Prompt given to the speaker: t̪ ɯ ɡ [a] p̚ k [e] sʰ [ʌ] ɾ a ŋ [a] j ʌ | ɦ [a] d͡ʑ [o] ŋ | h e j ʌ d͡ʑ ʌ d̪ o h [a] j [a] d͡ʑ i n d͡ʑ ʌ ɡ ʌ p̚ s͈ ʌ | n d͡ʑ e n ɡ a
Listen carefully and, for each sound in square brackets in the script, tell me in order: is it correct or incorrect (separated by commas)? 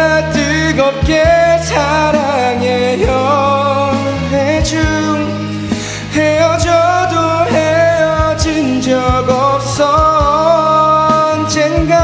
incorrect, correct, incorrect, incorrect, incorrect, incorrect, incorrect, incorrect